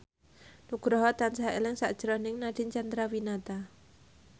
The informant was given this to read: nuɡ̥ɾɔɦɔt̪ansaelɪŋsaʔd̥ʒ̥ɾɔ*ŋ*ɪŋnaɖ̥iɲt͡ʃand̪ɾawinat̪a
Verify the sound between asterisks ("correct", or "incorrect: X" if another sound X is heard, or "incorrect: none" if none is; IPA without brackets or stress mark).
incorrect: n